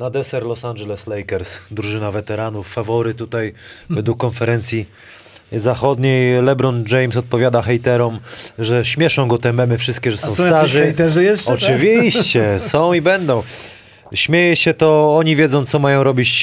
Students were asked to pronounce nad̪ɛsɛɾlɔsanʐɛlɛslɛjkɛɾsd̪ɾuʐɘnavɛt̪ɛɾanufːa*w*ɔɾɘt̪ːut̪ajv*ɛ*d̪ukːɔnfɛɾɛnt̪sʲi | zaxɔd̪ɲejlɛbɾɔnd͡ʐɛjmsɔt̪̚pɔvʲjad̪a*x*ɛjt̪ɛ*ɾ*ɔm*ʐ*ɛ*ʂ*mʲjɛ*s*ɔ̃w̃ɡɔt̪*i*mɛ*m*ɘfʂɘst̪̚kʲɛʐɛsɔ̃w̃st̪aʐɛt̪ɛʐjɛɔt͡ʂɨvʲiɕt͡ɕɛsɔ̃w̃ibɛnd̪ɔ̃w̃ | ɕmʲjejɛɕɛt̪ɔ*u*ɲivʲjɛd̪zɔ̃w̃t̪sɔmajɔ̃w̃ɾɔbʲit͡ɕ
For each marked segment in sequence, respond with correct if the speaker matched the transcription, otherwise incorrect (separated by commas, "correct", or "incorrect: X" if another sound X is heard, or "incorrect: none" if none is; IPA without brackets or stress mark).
incorrect: v, correct, correct, correct, correct, incorrect: ɕ, incorrect: ʂ, incorrect: ɛ, correct, incorrect: ɔ